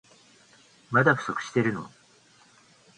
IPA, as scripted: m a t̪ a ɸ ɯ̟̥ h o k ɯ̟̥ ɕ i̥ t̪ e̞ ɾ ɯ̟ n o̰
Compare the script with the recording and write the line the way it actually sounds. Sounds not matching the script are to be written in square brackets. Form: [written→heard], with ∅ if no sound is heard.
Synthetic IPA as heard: m a [t̪→d̪] a ɸ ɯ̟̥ [h→s] o k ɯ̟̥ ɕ i̥ t̪ e̞ ɾ ɯ̟ n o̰